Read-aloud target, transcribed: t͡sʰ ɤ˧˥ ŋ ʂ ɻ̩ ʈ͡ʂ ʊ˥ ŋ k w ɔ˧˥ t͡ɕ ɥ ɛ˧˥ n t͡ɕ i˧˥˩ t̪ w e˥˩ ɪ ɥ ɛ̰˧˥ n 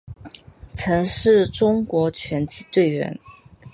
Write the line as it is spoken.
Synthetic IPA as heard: t͡sʰ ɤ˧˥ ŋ ʂ ɻ̩ ʈ͡ʂ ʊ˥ ŋ k w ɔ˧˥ t͡ɕʰ ɥ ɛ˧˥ n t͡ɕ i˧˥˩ t̪ w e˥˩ ɪ ɥ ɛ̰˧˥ n